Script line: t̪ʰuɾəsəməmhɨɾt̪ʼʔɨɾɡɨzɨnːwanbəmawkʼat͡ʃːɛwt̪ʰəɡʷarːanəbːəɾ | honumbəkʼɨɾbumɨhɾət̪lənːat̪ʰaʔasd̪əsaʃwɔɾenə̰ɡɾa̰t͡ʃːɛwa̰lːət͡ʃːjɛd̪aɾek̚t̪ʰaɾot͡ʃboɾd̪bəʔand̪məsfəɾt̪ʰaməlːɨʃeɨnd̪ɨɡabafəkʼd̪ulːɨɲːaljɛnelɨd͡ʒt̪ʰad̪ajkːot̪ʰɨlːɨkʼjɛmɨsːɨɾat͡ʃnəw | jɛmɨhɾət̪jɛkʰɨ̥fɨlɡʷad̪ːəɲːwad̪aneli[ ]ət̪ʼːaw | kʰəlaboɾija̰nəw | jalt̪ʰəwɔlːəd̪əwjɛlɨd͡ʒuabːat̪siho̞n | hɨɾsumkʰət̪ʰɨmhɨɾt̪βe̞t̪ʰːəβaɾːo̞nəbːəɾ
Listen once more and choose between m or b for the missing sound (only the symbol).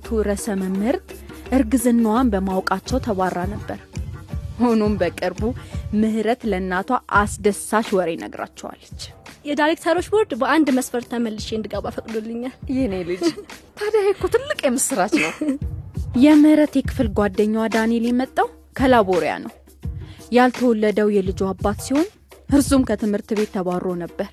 m